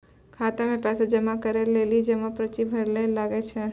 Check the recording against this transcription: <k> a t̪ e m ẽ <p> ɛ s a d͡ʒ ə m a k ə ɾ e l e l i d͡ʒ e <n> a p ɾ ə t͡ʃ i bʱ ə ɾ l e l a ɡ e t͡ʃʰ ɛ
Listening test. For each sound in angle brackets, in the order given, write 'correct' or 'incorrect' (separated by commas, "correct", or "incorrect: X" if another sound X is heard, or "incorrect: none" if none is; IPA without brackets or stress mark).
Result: incorrect: kʰ, correct, incorrect: m